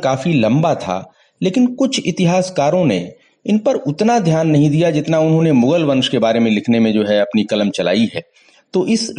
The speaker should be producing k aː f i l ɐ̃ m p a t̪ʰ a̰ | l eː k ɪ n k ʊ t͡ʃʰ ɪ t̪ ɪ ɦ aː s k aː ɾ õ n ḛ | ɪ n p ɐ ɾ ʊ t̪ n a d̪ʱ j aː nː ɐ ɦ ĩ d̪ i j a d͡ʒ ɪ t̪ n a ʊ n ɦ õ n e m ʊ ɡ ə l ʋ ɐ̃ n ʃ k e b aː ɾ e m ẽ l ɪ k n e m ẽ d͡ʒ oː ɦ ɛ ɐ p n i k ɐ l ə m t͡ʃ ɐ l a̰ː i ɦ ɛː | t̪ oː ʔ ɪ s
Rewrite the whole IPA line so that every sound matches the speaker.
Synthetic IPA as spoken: k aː f i l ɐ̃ m b a t̪ʰ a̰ | l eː k ɪ n k ʊ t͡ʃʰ ɪ t̪ ɪ ɦ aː s k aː ɾ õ n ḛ | ɪ n p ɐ ɾ ʊ t̪ n a d̪ʱ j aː nː ɐ ɦ ĩ d̪ i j a d͡ʒ ɪ t̪ n a ʊ n ɦ õ n e m ʊ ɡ ə l ʋ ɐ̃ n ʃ k e b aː ɾ e m ẽ l ɪ kʰ n e m ẽ d͡ʒ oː ɦ ɛ ɐ p n i k ɐ l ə m t͡ʃ ɐ l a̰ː i ɦ ɛː | t̪ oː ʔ ɪ s